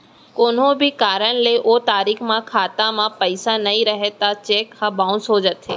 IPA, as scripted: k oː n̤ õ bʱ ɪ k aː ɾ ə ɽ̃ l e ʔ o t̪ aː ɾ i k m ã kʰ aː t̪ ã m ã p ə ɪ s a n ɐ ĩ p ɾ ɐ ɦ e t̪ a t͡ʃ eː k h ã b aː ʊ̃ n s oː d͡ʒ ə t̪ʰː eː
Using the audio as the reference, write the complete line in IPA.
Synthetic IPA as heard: k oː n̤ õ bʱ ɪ k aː ɾ ə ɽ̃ l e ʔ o t̪ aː ɾ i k m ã kʰ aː t̪ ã m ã p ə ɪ s a n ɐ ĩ ɾ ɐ ɦ e t̪ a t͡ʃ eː k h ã b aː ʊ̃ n s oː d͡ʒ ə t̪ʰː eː